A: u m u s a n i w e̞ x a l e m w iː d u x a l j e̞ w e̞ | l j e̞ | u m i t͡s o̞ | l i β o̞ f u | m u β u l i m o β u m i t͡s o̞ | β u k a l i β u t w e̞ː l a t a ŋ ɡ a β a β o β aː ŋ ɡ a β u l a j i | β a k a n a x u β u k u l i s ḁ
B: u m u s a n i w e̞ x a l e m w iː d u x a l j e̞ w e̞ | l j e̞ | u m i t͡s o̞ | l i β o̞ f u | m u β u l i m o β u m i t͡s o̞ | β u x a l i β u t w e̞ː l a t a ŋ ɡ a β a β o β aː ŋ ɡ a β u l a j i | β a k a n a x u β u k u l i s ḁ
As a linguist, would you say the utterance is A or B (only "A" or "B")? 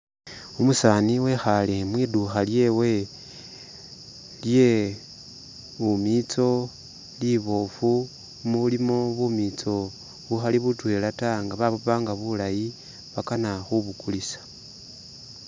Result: B